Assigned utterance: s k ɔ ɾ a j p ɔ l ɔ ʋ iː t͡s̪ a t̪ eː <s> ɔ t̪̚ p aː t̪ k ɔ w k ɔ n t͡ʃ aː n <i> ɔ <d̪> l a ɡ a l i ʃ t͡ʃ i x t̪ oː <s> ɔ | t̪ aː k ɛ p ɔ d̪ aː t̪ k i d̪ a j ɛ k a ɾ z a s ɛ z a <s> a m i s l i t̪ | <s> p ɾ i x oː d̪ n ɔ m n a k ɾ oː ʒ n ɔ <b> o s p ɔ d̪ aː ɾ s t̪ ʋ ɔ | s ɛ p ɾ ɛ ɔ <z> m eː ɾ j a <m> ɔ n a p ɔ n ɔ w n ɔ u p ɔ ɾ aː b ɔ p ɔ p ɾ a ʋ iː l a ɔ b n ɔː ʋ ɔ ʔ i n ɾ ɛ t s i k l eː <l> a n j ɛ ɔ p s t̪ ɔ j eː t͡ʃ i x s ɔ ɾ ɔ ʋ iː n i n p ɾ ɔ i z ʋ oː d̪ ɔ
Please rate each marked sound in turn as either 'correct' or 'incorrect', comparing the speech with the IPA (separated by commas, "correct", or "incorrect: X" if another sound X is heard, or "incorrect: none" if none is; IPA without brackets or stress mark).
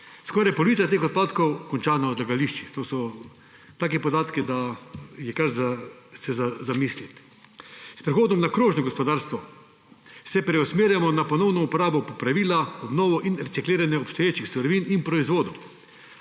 incorrect: x, incorrect: a, correct, correct, incorrect: z, correct, incorrect: ɡ, incorrect: s, correct, incorrect: ɾ